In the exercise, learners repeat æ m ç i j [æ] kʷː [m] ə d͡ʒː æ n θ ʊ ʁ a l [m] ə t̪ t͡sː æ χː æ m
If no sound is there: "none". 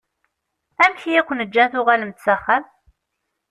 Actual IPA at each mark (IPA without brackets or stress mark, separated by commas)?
æ, n, m